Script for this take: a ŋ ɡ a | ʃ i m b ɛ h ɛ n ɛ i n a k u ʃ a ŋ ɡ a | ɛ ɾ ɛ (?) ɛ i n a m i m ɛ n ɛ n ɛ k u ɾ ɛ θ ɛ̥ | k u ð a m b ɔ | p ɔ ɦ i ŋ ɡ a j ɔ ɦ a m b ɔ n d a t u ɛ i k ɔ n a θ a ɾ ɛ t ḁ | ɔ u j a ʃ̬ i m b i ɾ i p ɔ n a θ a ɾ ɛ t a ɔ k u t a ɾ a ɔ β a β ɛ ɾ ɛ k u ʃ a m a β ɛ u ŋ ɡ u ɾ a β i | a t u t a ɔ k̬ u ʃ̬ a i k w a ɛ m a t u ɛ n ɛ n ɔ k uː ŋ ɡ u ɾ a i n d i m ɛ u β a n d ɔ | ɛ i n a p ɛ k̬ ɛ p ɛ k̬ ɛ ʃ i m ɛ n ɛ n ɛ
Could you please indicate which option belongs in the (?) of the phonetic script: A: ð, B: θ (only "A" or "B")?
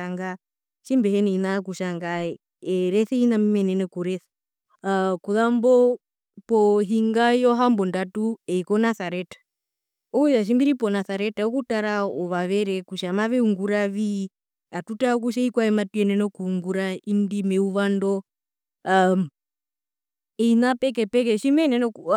B